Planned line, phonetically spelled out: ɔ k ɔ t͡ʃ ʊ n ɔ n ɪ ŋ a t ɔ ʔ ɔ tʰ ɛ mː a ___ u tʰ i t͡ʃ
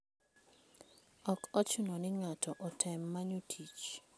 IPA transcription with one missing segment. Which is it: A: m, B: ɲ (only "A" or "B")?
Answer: B